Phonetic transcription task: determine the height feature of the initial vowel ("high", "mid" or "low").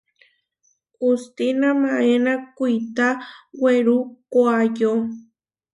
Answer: high